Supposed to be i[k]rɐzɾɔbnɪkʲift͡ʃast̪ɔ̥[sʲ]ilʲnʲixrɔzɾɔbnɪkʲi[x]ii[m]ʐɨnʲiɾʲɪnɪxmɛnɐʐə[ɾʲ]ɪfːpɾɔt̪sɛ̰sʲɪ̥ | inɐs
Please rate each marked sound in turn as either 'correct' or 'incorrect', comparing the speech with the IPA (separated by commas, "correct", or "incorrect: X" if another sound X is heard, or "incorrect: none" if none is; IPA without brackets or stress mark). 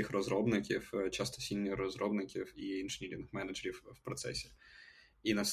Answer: incorrect: x, correct, incorrect: f, incorrect: n, correct